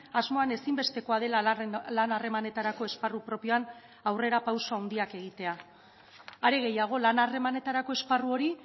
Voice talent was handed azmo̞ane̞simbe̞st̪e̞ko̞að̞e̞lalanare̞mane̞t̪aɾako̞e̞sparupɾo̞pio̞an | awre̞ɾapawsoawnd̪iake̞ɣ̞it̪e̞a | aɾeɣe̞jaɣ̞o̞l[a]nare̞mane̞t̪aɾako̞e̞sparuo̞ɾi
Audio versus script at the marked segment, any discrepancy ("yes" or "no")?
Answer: no